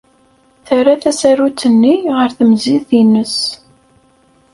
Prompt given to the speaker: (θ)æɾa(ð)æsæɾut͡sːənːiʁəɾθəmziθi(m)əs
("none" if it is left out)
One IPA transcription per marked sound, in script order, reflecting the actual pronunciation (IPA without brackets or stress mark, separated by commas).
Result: θ, θ, n